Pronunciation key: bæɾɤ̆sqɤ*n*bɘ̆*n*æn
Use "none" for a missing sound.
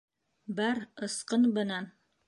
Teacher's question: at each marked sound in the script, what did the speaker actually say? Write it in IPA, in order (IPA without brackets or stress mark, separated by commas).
n, n